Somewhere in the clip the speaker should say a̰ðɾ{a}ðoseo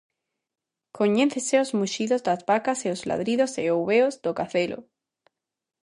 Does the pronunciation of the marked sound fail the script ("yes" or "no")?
yes